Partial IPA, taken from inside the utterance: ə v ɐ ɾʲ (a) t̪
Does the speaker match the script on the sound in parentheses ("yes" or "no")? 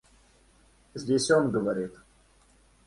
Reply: no